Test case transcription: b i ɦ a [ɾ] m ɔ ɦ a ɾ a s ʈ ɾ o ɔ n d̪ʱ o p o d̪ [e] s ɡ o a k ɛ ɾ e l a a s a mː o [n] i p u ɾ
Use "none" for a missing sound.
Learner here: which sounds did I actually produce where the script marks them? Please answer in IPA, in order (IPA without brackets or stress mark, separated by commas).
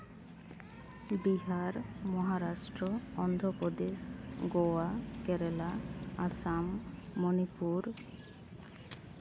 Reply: ɾ, e, n